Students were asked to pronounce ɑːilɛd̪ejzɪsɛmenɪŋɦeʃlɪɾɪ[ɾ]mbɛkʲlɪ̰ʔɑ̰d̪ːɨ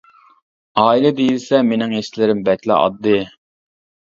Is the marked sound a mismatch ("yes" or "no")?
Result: yes